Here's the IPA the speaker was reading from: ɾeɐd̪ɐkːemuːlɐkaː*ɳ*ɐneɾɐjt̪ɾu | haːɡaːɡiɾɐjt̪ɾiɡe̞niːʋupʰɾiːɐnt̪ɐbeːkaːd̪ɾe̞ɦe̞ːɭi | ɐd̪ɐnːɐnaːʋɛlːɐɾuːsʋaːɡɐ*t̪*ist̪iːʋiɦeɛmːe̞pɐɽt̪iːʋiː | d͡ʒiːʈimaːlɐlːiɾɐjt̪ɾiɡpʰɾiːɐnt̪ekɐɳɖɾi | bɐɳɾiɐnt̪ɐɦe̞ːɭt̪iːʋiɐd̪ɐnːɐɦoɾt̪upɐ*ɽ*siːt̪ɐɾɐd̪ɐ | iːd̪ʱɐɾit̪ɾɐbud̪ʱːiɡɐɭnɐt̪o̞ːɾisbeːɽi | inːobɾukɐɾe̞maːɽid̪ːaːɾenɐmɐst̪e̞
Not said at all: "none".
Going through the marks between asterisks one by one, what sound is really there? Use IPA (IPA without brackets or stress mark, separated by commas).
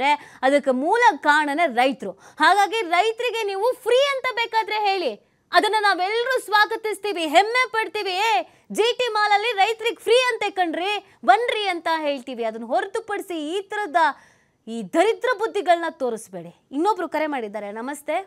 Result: ɳ, t̪, ɽ